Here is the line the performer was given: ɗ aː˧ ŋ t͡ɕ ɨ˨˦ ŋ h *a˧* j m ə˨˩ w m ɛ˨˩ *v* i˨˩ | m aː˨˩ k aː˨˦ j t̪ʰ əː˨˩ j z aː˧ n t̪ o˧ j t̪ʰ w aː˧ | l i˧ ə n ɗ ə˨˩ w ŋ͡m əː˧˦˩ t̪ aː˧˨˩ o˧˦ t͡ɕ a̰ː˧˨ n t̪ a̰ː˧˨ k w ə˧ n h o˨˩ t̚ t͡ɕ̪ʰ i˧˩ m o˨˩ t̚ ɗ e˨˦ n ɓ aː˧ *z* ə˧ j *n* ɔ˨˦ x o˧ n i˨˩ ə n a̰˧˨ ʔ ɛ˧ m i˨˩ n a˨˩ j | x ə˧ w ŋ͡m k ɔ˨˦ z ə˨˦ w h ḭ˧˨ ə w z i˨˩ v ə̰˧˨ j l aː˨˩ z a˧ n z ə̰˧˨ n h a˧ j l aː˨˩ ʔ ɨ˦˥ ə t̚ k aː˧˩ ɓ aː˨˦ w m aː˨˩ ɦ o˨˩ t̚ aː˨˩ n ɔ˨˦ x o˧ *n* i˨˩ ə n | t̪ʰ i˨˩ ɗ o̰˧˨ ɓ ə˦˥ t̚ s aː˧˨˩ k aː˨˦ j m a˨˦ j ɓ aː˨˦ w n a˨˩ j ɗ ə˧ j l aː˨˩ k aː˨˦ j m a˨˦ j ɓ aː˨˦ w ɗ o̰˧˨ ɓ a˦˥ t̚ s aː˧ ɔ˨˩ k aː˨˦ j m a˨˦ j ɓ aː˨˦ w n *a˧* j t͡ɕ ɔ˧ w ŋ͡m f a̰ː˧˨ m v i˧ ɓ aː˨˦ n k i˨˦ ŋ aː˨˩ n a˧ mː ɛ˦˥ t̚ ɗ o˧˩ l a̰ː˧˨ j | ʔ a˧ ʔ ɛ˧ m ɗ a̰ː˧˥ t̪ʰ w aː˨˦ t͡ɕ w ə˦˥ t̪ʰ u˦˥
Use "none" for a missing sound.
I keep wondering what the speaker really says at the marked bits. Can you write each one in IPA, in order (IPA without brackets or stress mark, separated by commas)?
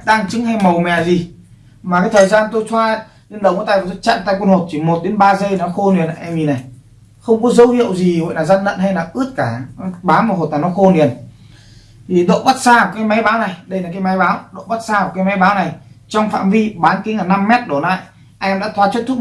a˧, z, z, n, n, a˨˩